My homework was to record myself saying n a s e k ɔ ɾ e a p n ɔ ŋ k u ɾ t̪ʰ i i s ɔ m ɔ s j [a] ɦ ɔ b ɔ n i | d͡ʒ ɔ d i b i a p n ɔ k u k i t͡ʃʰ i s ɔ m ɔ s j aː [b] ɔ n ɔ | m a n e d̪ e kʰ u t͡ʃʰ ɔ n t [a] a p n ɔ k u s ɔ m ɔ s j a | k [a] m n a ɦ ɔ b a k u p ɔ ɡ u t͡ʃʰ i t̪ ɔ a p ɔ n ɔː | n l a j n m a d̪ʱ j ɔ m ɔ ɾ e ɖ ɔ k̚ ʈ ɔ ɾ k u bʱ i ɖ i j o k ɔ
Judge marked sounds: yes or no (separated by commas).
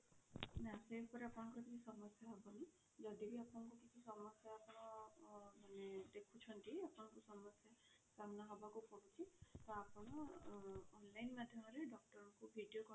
yes, no, no, yes